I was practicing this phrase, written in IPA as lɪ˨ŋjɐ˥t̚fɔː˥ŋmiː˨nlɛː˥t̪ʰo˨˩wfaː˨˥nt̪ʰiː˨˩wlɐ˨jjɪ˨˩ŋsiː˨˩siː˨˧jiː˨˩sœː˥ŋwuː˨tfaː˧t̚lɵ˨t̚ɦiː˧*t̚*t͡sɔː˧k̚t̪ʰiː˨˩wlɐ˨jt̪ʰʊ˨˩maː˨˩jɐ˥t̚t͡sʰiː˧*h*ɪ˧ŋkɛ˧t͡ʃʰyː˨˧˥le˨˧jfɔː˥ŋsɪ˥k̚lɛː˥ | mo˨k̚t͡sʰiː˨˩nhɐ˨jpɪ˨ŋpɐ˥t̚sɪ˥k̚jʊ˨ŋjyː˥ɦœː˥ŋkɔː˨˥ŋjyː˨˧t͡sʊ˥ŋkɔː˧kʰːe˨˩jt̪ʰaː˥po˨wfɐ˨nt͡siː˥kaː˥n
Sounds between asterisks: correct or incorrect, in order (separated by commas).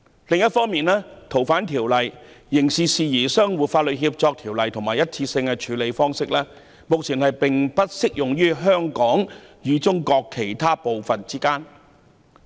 incorrect, incorrect